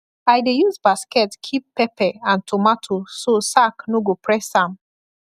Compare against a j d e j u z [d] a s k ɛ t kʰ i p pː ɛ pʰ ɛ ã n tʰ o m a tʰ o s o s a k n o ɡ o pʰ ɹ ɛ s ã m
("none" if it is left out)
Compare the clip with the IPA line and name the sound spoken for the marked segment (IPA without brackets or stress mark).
b